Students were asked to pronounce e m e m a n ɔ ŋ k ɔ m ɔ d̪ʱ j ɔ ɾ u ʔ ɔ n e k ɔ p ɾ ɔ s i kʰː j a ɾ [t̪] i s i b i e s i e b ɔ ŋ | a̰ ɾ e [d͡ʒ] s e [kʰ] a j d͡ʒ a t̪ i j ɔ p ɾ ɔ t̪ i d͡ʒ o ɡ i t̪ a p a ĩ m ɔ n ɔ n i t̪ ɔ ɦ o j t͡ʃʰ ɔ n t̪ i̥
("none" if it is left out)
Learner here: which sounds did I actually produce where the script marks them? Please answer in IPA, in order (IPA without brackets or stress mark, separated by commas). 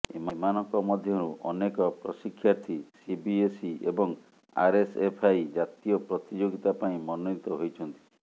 t̪ʰ, none, pʰ